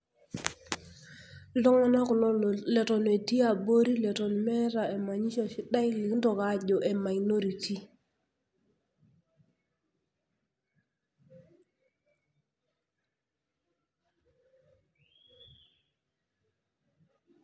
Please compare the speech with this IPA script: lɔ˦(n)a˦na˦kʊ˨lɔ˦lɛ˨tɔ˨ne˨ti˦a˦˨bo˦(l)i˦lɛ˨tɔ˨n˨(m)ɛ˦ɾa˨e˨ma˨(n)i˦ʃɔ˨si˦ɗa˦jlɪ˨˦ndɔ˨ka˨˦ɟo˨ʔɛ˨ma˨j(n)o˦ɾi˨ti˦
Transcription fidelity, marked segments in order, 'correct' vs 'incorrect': incorrect, incorrect, correct, incorrect, correct

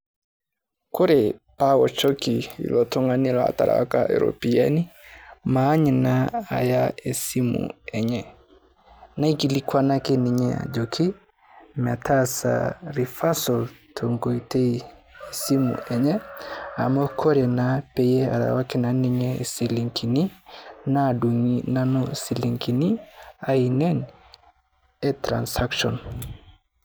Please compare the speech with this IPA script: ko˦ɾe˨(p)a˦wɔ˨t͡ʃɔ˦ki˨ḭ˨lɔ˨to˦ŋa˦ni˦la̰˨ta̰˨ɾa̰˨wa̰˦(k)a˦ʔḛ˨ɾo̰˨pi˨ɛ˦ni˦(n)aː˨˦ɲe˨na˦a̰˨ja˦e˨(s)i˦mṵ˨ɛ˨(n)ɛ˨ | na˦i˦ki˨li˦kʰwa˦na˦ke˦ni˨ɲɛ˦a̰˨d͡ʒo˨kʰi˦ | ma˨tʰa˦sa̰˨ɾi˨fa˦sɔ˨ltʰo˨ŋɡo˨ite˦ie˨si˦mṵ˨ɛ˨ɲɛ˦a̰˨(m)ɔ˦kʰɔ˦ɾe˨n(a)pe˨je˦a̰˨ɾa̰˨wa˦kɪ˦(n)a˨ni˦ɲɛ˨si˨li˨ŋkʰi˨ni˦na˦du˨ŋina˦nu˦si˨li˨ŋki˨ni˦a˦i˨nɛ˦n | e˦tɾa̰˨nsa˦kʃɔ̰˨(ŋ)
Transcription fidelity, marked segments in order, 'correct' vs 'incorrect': correct, correct, incorrect, correct, incorrect, correct, correct, correct, incorrect

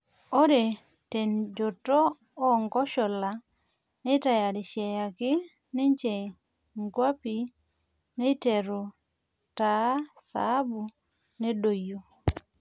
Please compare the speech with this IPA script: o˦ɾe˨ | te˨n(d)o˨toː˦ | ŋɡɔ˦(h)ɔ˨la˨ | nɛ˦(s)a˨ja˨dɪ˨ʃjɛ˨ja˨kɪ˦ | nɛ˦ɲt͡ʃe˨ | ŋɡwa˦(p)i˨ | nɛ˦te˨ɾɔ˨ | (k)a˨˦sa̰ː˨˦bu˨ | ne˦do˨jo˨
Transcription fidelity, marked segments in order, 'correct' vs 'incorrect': incorrect, incorrect, incorrect, correct, incorrect

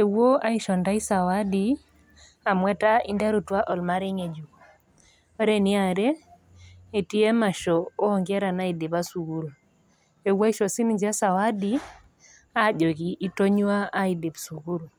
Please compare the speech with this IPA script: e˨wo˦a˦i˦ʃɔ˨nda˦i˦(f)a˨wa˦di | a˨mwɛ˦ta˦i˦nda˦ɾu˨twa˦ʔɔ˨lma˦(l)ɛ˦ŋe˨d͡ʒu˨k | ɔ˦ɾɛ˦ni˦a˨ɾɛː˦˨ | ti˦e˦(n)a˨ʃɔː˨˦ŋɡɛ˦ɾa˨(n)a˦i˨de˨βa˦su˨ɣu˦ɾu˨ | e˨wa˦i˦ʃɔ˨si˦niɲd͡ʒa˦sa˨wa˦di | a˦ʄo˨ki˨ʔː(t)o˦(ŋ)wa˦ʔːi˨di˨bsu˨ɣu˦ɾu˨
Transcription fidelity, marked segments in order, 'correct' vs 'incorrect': incorrect, incorrect, incorrect, correct, correct, incorrect

